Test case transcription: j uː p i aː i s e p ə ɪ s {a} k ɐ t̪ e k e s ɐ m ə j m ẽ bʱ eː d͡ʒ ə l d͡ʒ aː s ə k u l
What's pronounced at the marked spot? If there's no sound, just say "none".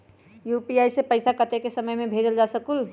a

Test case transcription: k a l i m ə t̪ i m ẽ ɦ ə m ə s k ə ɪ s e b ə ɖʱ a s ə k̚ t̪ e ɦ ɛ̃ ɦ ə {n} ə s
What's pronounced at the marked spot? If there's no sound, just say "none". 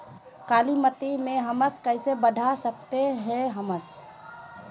m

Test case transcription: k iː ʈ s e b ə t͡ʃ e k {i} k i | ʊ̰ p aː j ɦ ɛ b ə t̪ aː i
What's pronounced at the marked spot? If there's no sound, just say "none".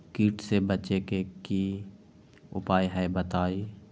e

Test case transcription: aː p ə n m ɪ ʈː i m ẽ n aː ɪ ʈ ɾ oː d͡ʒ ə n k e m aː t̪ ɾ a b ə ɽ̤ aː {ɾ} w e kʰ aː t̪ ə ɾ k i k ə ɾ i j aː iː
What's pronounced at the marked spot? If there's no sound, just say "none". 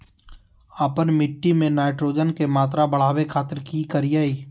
none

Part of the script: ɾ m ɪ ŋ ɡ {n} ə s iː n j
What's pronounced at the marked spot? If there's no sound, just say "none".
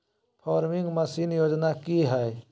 m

